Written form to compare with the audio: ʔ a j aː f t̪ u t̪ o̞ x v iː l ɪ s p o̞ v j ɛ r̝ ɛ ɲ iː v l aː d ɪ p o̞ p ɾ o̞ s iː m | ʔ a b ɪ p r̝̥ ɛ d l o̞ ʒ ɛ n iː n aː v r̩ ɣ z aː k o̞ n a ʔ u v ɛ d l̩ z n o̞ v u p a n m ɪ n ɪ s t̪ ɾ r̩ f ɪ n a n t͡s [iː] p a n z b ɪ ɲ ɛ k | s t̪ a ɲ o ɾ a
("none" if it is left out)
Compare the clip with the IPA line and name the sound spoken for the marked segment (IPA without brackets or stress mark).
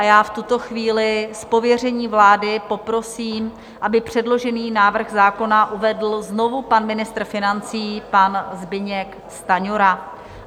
iː